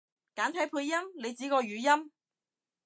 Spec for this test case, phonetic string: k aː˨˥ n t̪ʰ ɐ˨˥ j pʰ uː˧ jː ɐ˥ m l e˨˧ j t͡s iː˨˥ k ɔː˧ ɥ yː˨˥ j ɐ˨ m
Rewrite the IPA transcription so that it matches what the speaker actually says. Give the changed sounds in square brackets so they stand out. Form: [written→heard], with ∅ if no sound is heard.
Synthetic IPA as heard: k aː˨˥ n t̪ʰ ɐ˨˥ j pʰ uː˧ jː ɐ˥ m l e˨˧ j t͡s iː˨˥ k ɔː˧ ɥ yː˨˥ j [ɐ˨→ɐ˥] m